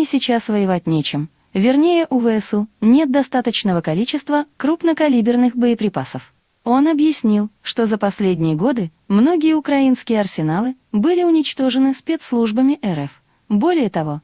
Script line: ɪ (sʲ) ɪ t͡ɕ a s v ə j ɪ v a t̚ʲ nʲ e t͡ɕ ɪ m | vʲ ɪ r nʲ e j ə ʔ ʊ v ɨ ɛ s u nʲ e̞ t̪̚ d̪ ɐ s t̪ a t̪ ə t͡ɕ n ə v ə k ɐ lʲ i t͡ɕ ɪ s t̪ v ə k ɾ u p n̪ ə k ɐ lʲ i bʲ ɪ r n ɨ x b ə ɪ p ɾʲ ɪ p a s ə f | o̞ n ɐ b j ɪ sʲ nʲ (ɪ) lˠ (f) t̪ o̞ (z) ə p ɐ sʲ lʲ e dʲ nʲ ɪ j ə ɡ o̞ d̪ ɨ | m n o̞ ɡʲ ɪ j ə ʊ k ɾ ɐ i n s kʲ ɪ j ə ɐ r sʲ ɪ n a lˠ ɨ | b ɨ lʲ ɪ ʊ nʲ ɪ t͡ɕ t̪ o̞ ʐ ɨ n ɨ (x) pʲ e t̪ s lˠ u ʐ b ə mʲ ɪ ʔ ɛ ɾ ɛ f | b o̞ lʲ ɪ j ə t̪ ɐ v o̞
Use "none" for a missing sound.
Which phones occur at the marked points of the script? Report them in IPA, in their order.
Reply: sʲ, i, ʂ, z, s

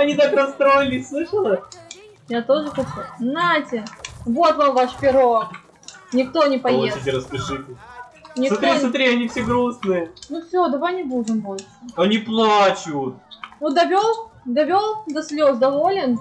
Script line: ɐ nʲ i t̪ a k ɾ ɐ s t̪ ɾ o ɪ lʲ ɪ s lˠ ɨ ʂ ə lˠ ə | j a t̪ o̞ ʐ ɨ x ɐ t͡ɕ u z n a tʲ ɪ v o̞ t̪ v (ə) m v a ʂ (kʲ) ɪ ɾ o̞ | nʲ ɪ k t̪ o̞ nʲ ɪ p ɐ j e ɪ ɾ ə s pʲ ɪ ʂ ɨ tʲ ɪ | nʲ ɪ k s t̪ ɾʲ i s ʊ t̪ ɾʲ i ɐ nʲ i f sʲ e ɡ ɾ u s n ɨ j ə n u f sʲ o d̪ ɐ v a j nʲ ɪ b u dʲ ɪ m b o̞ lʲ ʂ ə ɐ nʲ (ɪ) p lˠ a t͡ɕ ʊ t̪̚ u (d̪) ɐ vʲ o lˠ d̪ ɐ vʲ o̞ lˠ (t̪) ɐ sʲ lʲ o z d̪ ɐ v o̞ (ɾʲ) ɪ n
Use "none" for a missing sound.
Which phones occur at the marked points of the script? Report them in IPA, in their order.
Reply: a, pʲ, i, d̪, d̪, lʲ

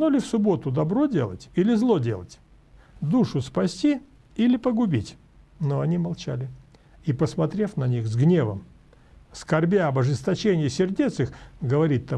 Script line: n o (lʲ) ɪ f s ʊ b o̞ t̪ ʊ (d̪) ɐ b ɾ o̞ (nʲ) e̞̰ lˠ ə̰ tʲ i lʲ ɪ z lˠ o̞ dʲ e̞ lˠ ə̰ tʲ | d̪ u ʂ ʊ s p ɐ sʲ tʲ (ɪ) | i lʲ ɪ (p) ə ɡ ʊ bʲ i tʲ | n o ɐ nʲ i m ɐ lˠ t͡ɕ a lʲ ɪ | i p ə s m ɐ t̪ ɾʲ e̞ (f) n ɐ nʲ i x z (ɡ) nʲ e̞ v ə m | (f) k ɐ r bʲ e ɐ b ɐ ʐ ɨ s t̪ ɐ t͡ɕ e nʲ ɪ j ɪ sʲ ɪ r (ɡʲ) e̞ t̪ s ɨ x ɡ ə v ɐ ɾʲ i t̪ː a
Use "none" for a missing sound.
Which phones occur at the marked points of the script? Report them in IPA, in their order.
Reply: lʲ, d̪, dʲ, i, p, f, ɡ, s, dʲ

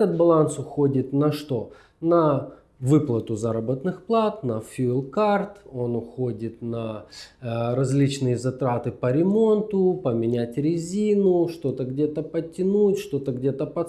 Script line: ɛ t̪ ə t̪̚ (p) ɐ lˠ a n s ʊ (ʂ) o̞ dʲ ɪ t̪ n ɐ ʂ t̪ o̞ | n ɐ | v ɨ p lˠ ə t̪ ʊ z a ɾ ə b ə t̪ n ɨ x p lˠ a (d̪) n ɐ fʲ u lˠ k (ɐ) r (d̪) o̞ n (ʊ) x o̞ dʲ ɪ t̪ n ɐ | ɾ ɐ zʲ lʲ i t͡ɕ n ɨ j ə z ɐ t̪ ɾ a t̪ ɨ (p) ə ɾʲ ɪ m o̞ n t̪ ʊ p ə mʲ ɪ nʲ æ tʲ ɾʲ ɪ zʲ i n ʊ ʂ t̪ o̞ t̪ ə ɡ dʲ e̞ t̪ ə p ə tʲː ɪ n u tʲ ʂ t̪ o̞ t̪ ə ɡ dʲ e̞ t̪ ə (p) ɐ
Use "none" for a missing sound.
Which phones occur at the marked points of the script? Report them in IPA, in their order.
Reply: b, x, t̪, a, t̪, ʊ, p, p

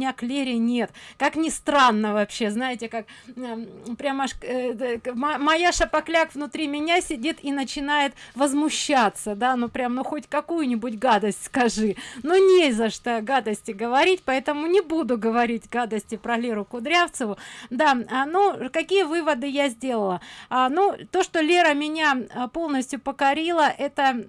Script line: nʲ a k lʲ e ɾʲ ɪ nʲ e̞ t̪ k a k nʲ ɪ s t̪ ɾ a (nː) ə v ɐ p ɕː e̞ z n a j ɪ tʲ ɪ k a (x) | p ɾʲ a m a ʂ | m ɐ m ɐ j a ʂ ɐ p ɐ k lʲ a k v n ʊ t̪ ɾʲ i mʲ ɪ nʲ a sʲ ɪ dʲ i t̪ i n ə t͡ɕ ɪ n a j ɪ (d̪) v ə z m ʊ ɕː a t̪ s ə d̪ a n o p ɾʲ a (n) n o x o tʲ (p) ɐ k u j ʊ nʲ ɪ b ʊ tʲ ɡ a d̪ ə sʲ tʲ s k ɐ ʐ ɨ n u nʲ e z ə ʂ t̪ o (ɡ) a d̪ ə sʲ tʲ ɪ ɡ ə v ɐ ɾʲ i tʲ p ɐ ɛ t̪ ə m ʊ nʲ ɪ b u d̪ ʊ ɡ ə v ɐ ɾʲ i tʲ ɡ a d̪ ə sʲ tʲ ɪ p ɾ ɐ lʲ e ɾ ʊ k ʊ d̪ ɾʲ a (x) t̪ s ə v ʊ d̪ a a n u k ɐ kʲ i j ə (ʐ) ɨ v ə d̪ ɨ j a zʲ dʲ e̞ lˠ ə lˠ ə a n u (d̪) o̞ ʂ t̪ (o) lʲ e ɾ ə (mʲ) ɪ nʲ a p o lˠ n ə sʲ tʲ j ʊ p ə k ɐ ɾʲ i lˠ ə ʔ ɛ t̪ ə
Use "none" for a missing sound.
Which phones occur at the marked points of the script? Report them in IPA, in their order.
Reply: nː, k, t̪, m, k, ɡ, f, v, t̪, o, mʲ

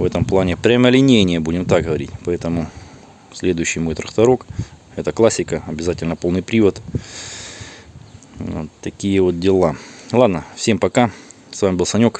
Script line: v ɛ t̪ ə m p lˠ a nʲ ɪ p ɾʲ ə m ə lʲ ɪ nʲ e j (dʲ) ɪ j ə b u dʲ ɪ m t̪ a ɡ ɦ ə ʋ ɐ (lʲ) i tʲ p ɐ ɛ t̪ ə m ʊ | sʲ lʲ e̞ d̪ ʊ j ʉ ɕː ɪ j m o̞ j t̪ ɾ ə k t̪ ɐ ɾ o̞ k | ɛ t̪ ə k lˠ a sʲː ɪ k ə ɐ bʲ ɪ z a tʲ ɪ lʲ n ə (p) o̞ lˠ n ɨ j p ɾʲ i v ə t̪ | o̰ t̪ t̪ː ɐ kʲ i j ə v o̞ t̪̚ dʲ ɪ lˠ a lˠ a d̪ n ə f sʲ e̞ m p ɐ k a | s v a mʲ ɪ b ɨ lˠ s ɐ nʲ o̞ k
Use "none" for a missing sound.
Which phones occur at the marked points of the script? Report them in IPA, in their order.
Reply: nʲ, ɾʲ, p

